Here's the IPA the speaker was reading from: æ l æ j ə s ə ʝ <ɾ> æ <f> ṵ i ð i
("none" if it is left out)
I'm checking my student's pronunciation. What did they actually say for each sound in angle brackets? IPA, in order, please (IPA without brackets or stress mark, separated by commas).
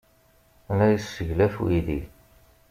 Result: l, f